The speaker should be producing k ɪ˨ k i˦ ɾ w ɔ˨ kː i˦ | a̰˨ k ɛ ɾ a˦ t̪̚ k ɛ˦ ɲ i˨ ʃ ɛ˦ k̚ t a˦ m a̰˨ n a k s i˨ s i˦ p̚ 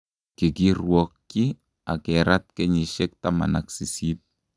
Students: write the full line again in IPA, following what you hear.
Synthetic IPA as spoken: k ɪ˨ k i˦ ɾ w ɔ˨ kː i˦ | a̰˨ k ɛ ɾ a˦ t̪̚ k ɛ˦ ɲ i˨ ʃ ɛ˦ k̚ t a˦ m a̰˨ n a k s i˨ s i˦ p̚